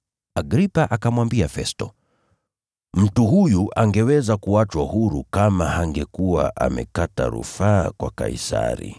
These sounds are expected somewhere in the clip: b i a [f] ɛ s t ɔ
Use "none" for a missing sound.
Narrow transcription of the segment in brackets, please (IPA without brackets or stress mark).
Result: f